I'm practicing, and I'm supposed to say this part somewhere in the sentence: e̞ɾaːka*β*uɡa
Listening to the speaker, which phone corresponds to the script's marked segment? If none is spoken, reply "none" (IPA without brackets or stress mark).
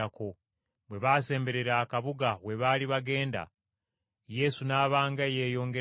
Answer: β